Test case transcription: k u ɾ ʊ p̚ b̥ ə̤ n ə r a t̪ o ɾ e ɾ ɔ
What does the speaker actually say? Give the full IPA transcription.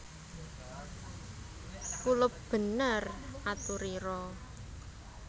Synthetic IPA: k u l ʊ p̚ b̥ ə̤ n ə r a t̪ u ɾ i ɾ ɔ